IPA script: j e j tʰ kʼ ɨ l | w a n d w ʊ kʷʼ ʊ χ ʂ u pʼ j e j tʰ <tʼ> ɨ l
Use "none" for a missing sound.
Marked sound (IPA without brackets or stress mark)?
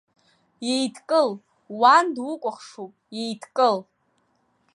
kʼ